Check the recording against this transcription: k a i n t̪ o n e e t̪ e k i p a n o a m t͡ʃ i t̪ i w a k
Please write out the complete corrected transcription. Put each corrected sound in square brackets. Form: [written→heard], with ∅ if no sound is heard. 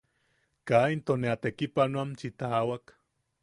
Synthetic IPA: k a i n t̪ o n e [e→a] t̪ e k i p a n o a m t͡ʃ i t̪ [i→a] w a k